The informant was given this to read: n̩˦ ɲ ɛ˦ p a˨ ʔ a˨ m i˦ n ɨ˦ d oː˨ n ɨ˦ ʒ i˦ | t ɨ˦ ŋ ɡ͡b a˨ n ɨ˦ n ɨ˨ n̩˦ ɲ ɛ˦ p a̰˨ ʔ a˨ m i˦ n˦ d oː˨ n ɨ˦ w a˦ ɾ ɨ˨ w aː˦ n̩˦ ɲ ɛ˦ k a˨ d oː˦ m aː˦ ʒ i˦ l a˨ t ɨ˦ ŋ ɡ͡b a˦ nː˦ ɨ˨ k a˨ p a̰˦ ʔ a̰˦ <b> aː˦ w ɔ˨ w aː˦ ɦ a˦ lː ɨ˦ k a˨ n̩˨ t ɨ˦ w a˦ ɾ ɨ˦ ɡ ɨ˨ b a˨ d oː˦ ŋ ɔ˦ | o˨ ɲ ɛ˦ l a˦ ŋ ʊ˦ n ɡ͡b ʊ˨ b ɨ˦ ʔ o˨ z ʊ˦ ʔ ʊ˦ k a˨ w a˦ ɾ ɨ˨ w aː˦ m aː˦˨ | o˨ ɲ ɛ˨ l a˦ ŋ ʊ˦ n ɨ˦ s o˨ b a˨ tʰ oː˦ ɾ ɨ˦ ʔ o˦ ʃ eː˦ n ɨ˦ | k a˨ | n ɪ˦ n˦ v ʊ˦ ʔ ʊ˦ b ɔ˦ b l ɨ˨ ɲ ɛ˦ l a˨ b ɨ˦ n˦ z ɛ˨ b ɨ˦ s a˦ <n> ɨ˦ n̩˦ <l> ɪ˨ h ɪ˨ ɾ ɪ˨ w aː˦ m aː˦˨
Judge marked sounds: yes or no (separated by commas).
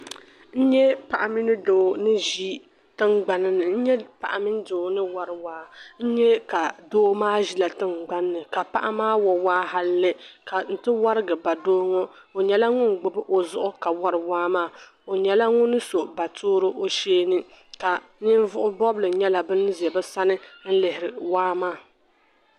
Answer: no, yes, yes